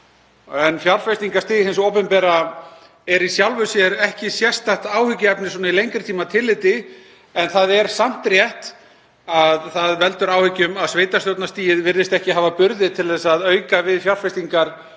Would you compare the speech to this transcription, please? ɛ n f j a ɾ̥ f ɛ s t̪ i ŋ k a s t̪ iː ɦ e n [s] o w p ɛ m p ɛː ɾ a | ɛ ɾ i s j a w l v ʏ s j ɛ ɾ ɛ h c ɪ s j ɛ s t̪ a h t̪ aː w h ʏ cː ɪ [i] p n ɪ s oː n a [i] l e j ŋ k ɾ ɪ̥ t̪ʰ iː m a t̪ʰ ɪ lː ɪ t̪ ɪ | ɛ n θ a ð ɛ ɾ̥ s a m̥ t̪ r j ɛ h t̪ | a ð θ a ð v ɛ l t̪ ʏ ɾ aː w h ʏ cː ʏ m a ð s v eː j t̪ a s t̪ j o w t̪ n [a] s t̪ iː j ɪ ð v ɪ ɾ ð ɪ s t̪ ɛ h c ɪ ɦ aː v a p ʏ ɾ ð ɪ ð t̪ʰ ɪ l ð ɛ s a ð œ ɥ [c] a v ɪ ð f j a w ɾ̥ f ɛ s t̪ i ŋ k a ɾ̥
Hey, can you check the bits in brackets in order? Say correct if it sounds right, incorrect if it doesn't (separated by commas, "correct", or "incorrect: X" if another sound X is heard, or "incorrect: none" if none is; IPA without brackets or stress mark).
correct, incorrect: ɛ, correct, correct, incorrect: k